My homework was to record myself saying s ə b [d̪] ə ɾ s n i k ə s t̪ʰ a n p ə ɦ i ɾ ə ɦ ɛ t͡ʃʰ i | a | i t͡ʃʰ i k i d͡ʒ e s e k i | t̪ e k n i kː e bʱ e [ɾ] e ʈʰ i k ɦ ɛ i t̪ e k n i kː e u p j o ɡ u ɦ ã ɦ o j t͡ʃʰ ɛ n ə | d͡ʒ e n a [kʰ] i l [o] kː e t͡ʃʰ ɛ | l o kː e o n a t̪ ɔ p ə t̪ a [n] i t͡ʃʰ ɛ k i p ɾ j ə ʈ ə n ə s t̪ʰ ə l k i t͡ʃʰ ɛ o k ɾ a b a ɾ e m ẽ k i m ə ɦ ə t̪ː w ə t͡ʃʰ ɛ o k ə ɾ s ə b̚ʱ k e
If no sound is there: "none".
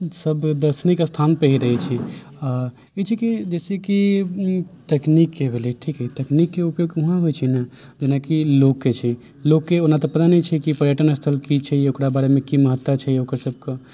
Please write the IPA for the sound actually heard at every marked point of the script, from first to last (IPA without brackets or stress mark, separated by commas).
d̪, l, k, o, n